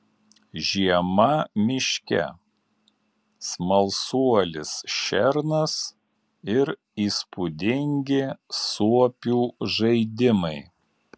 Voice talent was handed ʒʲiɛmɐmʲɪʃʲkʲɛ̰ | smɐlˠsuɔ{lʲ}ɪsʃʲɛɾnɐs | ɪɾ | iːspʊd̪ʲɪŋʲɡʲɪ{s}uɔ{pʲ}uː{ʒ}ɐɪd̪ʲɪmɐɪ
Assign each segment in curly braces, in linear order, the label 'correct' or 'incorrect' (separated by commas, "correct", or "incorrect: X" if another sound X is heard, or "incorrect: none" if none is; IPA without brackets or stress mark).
correct, correct, correct, correct